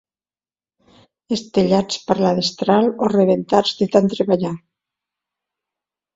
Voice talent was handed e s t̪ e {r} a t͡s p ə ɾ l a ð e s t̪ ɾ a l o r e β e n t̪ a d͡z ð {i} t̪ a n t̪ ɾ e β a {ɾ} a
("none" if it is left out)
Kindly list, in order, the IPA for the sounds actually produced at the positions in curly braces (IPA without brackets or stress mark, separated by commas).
ʎ, e, ʎ